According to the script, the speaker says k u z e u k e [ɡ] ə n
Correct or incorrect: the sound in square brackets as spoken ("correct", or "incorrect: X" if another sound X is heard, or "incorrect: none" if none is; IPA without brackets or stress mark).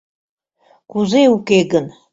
correct